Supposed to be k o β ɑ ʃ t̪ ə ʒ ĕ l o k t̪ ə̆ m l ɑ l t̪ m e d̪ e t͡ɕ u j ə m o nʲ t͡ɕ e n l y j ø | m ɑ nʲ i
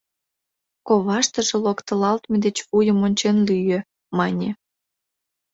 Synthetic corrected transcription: k o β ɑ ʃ t̪ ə ʒ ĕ l o k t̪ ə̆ l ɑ l t̪ m e d̪ e t͡ɕ u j ə m o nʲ t͡ɕ e n l y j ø | m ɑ nʲ e